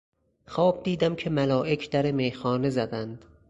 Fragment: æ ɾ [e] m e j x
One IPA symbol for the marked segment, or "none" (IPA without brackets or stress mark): e